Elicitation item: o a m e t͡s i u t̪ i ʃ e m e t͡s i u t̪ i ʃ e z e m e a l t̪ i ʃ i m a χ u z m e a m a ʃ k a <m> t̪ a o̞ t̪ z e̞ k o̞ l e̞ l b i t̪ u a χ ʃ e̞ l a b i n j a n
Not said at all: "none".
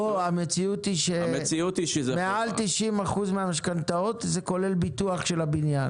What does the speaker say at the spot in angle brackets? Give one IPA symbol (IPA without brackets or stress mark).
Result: n